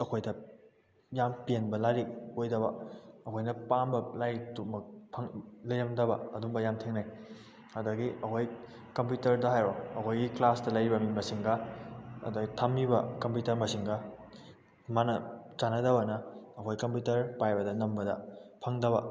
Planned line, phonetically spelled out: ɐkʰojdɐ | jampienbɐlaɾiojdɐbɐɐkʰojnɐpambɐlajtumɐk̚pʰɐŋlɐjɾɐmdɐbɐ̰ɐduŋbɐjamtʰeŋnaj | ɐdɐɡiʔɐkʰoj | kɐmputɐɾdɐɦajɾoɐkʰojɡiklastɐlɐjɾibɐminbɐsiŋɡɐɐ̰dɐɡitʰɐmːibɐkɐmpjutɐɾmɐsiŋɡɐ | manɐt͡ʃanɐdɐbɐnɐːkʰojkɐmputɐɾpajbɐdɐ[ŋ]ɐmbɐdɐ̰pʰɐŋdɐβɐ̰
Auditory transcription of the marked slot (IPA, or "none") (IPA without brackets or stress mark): n